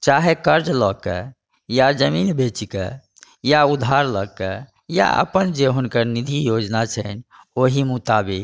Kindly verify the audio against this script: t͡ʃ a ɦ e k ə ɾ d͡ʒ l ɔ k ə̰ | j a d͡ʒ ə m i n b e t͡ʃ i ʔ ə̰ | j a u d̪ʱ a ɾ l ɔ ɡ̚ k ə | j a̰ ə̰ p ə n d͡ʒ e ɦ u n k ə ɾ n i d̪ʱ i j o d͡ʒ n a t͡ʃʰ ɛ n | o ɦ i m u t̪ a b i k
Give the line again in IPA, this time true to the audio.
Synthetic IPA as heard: t͡ʃ a ɦ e k ə ɾ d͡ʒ l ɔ k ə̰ | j a d͡ʒ ə m i n b e t͡ʃ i k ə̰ | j a u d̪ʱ a ɾ l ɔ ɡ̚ k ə | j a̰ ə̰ p ə n d͡ʒ e ɦ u n k ə ɾ n i d̪ʱ i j o d͡ʒ n a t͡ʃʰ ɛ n | o ɦ i m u t̪ a b i k